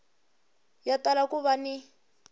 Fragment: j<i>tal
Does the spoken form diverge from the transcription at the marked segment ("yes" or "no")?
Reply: yes